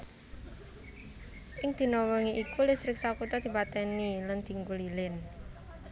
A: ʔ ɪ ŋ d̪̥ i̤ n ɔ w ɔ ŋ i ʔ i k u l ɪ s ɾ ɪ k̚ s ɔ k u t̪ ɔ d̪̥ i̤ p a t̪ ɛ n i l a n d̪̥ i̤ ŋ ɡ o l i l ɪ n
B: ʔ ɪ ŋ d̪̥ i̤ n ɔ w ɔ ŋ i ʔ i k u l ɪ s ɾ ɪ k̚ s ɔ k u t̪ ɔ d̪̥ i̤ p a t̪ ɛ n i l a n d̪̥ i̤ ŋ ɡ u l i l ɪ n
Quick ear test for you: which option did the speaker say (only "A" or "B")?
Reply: B